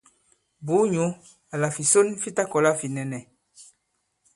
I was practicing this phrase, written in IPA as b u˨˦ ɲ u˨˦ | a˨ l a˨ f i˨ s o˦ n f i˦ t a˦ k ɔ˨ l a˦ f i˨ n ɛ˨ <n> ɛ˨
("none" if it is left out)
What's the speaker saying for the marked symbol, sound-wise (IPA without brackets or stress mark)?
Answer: n